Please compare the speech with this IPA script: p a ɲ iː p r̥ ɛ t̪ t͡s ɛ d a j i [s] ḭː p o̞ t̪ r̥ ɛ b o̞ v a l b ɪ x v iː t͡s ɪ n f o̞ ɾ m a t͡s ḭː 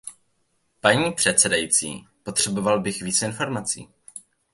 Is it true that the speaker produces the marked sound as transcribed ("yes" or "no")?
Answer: no